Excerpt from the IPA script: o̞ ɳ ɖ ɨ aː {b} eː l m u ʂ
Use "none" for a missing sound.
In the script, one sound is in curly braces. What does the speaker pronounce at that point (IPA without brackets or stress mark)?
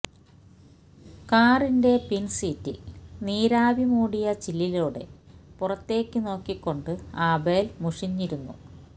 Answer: b